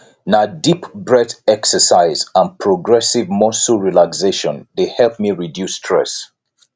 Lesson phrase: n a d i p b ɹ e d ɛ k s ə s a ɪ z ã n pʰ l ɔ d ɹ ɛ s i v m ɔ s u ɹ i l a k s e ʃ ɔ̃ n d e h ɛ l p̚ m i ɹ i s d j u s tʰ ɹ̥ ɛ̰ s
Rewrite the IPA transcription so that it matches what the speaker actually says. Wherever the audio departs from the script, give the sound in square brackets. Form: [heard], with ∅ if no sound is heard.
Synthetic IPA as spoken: n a d i p b ɹ [ɛ] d ɛ k s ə s a ɪ z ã n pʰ [ɹ] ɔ [ɡ] ɹ ɛ s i v m ɔ s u ɹ i l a k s e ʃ ɔ̃ n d e h ɛ l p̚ m i ɹ i [∅] d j u s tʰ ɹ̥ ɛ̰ s